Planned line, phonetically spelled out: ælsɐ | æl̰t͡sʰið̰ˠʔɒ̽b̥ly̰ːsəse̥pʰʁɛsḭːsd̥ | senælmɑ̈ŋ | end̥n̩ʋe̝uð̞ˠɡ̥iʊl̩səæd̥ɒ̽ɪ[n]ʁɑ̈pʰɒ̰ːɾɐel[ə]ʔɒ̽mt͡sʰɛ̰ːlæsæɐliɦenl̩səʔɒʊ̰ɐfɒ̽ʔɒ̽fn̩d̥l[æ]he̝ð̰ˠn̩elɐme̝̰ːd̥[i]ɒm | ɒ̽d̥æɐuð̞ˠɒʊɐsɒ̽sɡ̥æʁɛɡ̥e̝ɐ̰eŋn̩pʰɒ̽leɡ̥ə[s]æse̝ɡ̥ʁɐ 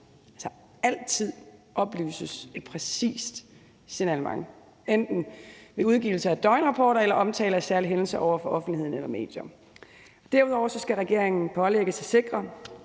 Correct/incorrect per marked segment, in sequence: correct, incorrect: ɐ, incorrect: i, incorrect: j, correct

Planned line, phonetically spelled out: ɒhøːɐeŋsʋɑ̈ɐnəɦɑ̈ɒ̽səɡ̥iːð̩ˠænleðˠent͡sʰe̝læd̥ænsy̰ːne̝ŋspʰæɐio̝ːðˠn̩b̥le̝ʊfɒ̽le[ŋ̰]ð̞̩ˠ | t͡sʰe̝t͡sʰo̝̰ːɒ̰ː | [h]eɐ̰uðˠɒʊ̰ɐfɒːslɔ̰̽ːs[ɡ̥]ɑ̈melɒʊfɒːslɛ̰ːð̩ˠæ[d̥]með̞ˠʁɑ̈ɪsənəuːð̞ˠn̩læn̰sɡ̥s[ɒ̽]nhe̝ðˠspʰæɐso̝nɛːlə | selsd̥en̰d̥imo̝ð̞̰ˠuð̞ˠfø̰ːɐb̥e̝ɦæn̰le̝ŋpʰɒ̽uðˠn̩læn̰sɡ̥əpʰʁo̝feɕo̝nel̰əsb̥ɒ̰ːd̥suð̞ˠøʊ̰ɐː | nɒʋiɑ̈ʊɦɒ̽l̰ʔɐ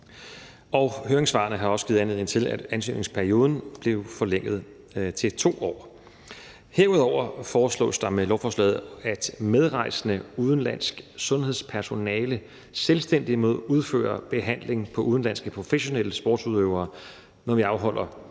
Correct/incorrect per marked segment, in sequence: correct, correct, incorrect: d̥, correct, incorrect: ɔ̽

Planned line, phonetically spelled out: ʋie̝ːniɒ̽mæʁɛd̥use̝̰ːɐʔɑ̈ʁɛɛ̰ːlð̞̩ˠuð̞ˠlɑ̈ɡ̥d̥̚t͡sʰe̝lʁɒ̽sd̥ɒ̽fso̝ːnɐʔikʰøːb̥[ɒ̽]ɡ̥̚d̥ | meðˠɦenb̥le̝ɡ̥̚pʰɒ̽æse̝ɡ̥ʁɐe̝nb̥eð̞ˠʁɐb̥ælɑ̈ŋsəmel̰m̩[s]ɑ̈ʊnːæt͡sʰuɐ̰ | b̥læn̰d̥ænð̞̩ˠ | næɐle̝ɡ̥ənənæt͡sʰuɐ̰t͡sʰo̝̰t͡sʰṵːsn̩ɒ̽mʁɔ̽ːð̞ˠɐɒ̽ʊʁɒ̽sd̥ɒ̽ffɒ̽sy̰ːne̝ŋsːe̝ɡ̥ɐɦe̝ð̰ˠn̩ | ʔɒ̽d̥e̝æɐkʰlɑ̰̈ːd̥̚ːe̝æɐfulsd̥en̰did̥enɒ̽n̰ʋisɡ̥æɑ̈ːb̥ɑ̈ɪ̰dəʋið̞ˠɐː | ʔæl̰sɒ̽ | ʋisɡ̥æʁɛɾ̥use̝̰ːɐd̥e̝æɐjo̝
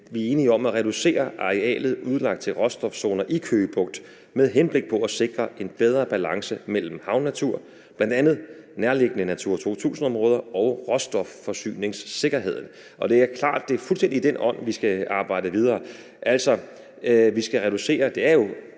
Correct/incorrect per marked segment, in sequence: incorrect: ɔ̽, incorrect: h

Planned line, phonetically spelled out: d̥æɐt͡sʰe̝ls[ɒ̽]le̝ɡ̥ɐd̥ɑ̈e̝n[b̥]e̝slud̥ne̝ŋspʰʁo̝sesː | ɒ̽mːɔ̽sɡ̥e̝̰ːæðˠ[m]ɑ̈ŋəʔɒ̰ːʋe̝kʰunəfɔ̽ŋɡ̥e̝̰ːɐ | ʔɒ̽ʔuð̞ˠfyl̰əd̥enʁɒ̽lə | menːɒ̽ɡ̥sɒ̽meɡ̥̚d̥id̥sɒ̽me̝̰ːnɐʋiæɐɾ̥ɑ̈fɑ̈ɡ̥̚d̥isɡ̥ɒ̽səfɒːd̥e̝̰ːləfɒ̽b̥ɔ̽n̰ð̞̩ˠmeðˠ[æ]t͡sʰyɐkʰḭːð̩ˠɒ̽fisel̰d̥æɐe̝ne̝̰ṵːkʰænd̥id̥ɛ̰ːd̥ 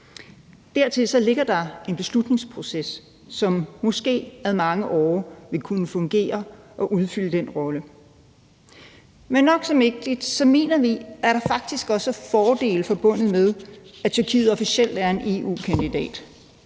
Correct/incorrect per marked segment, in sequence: correct, correct, correct, correct

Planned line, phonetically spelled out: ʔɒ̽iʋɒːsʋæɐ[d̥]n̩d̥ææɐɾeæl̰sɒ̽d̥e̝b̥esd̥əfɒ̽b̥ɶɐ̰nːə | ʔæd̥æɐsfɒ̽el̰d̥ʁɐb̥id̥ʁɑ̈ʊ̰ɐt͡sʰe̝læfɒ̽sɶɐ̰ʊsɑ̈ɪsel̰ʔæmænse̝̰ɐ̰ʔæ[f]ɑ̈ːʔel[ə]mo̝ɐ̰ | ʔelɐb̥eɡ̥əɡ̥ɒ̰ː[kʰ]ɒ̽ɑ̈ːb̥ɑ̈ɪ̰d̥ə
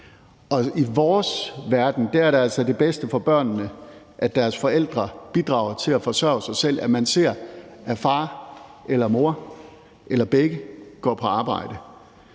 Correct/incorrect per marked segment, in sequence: correct, correct, incorrect: ɐ, incorrect: pʰ

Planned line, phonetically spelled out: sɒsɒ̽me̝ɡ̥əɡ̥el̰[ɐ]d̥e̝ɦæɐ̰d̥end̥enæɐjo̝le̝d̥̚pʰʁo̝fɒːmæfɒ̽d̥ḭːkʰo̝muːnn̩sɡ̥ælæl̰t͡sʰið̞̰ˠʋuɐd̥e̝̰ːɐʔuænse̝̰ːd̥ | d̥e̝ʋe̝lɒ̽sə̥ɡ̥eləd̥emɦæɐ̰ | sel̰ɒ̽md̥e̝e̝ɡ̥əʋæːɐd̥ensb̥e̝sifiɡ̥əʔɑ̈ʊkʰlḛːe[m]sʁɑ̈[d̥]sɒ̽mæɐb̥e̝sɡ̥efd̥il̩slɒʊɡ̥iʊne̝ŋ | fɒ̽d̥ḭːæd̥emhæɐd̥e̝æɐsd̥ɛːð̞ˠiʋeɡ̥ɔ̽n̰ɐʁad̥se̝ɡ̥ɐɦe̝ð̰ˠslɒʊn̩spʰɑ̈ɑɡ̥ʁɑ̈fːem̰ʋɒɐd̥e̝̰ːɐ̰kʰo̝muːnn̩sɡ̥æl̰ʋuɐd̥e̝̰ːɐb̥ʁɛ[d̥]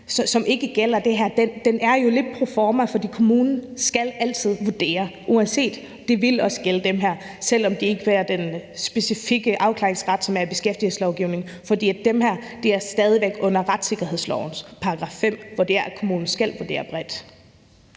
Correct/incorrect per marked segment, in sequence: correct, incorrect: ŋ, correct, correct

